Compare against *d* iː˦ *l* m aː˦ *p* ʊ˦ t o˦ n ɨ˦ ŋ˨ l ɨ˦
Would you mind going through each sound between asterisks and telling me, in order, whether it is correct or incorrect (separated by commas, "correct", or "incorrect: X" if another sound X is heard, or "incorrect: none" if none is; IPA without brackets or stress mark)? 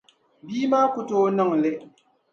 incorrect: b, incorrect: none, incorrect: k